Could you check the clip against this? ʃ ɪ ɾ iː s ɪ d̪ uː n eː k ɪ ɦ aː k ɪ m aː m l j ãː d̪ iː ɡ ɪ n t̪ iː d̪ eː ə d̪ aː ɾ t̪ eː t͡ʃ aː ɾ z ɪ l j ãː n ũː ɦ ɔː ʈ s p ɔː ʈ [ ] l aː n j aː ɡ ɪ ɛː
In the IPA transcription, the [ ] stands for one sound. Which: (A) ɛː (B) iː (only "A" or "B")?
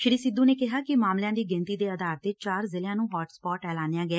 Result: A